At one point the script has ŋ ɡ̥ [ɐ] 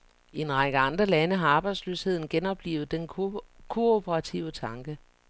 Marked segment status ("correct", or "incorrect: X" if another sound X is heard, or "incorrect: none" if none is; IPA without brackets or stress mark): incorrect: ə